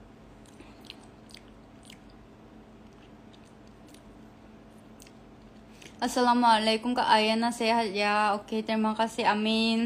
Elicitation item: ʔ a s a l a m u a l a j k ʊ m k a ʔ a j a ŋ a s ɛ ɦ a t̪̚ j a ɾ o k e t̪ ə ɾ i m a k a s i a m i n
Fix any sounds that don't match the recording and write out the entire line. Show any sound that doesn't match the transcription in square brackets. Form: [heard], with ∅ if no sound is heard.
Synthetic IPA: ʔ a s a l a m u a l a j k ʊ m k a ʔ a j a [n] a s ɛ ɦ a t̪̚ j a [∅] o k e t̪ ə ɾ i m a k a s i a m i n